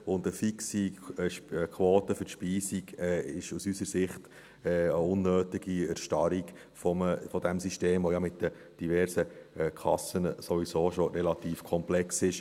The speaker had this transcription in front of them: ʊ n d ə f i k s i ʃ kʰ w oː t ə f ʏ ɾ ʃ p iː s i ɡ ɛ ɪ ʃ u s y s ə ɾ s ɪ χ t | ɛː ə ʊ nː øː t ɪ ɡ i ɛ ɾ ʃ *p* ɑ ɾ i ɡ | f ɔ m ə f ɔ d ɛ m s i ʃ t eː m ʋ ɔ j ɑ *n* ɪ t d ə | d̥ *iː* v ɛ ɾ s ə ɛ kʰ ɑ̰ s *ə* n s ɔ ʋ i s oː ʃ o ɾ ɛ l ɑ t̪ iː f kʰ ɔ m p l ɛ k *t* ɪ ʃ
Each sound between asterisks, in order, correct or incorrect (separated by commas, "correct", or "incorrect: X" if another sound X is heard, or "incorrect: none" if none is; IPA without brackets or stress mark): incorrect: t, incorrect: m, incorrect: i, correct, incorrect: s